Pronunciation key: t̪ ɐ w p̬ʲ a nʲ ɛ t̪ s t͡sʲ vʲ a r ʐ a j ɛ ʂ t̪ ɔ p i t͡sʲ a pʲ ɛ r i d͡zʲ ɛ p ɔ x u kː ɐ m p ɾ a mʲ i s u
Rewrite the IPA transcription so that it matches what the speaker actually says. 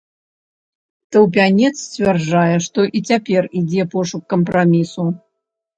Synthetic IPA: t̪ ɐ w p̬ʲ a nʲ ɛ t̪ s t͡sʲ vʲ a r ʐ a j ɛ ʂ t̪ ɔ ʔ i t͡sʲ a pʲ ɛ r i d͡zʲ ɛ p ɔ ʂ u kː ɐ m p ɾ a mʲ i s u